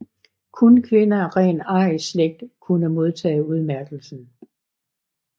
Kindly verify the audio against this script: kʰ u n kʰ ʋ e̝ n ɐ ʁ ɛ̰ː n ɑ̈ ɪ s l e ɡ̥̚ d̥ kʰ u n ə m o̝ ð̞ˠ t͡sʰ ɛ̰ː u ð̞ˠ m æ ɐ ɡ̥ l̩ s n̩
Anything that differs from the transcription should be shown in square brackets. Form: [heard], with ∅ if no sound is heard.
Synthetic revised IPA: kʰ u n kʰ ʋ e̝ n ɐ ʁ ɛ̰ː n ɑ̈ ɪ s l e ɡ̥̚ d̥ kʰ u n ə m o̝ ð̞ˠ t͡sʰ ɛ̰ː u ð̞ˠ m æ ɐ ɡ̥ l̩ s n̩